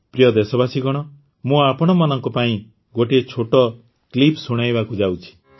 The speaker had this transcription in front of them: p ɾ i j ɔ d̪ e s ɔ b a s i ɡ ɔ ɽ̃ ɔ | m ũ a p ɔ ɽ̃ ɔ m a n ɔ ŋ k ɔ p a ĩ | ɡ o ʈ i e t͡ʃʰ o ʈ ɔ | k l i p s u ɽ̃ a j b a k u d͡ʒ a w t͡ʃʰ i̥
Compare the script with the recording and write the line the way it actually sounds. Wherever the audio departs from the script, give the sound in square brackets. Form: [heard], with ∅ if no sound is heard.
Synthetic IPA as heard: p ɾ i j ɔ d̪ e s ɔ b a s i ɡ ɔ ɽ̃ ɔ | m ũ a p ɔ ɽ̃ ɔ m a n ɔ ŋ k ɔ p a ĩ | ɡ o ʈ i e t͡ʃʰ o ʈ ɔ | k l i p s u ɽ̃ a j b a k u d͡ʒ a w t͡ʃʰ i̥